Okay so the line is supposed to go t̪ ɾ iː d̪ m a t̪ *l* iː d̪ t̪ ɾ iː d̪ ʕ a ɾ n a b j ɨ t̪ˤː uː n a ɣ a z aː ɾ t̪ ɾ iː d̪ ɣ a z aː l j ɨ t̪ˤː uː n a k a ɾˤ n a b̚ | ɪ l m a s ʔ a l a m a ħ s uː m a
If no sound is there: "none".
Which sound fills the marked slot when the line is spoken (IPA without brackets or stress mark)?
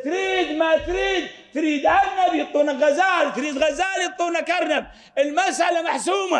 ɾ